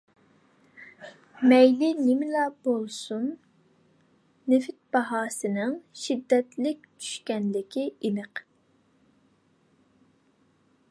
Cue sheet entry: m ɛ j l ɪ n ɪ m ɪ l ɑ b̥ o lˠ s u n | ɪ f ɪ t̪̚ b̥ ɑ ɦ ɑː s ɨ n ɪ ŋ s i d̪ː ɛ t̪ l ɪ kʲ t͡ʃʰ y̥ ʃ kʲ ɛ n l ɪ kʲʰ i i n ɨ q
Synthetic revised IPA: m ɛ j l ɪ n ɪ m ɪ l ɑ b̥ o lˠ s u n | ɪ f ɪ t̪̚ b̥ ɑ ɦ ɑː s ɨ n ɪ ŋ ʃ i d̪ː ɛ t̪ l ɪ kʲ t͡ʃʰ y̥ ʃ kʲ ɛ n l ɪ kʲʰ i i n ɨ q